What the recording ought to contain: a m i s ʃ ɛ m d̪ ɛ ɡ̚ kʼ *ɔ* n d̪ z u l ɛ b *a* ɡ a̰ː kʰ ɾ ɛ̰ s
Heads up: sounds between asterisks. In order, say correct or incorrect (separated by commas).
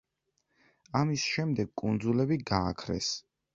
incorrect, incorrect